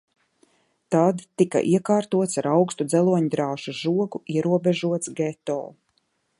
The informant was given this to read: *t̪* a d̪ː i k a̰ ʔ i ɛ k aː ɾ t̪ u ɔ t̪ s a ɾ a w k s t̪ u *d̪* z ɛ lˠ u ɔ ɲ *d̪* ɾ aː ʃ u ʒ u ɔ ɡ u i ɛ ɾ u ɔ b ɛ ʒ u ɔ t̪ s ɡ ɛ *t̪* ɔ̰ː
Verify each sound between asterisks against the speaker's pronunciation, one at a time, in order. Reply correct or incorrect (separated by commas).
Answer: correct, correct, correct, correct